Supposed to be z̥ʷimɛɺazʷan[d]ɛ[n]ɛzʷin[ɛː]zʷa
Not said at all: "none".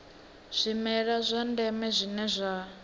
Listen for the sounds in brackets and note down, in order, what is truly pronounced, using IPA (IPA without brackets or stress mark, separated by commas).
d, m, ɛ